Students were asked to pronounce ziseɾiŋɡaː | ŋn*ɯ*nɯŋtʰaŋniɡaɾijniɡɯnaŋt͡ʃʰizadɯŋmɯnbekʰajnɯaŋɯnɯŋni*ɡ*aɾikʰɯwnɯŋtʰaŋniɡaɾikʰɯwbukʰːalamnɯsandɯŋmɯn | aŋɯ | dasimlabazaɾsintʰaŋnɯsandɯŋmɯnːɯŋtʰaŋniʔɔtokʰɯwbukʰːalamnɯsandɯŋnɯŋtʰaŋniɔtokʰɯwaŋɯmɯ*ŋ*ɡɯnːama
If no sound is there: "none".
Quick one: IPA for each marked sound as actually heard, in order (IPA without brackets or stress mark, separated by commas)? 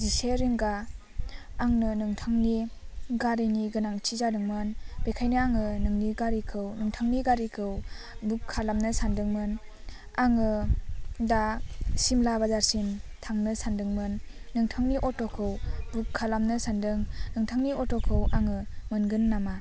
ɯ, ɡ, n